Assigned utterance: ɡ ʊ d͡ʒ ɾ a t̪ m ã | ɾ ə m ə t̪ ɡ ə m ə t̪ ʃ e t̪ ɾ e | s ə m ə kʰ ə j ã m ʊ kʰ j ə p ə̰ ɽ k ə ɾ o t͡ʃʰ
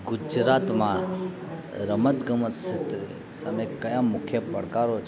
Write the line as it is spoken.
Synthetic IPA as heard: ɡ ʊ d͡ʒ ɾ a t̪ m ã | ɾ ə m ə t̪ ɡ ə m ə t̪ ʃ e t̪ ɾ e | s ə m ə k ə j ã m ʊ kʰ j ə p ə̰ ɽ k a ɾ o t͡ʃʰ